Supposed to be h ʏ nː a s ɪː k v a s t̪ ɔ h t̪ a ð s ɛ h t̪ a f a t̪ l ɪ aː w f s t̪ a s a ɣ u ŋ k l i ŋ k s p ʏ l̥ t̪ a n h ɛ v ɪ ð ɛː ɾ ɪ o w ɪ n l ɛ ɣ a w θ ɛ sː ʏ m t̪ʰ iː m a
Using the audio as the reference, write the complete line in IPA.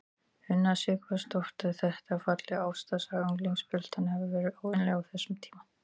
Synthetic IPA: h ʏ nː a s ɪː k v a s t̪ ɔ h t̪ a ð θ ɛ h t̪ a f a t̪ l ɪ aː w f s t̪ a s a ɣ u ŋ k l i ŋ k s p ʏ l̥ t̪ a n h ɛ v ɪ v ɛː ɾ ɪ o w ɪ n l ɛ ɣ a w θ ɛ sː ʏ m t̪ʰ iː m a